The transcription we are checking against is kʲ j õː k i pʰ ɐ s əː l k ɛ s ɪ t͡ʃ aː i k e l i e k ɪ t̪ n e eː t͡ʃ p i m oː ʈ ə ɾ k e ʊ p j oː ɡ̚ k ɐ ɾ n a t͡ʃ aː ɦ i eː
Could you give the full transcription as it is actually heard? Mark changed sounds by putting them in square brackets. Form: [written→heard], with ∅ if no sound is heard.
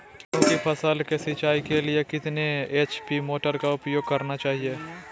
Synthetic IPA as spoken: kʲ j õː k i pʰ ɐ s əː l k [ɛ→e] s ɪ t͡ʃ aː i k e l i e k ɪ t̪ n e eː t͡ʃ p i m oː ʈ ə ɾ k [e→a] ʊ p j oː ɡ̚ k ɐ ɾ n a t͡ʃ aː ɦ i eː